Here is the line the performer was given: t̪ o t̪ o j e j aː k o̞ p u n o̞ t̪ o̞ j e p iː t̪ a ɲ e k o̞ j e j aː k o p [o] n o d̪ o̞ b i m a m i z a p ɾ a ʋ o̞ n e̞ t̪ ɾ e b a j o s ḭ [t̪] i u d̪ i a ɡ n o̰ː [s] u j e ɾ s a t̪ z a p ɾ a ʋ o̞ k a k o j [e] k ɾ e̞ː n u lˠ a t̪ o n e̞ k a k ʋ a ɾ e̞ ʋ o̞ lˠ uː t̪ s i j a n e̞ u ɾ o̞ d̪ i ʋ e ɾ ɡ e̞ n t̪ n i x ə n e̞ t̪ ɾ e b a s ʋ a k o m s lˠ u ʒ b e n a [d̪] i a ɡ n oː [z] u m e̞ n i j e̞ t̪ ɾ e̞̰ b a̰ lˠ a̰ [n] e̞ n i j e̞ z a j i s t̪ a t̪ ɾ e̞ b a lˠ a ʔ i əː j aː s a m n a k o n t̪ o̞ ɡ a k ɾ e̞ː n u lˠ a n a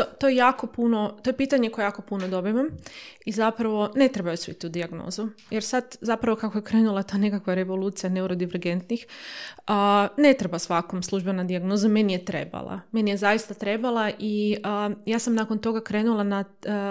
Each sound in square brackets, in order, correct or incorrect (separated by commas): incorrect, correct, incorrect, correct, correct, correct, incorrect